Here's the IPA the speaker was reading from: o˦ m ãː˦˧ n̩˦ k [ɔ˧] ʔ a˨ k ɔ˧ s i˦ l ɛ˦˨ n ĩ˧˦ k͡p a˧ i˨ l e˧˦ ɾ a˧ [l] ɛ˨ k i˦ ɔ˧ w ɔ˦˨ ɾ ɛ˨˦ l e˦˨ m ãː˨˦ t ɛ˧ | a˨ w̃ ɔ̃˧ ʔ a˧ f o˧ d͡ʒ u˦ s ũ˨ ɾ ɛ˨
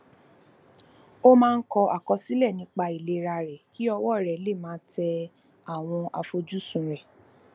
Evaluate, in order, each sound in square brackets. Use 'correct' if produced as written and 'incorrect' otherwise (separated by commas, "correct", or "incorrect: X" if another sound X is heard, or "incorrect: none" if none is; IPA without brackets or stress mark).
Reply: correct, incorrect: ɾ